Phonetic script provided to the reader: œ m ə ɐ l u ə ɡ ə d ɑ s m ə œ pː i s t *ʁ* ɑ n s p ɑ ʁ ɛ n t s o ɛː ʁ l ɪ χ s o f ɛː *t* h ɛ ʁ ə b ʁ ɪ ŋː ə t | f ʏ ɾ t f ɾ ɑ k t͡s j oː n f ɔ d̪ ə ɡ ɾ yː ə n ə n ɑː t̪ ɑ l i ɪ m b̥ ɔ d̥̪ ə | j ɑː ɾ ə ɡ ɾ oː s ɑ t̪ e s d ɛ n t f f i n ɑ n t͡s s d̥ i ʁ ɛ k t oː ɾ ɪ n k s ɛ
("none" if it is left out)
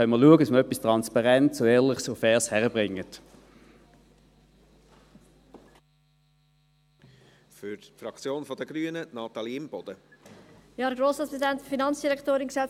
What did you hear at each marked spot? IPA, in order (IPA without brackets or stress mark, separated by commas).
ʁ, s